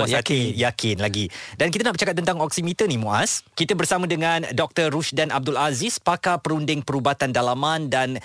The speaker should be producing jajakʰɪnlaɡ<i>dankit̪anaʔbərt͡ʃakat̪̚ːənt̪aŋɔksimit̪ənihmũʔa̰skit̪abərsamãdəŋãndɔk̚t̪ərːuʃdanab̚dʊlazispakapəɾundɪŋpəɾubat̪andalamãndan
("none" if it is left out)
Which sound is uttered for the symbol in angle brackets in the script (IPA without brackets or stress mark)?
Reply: i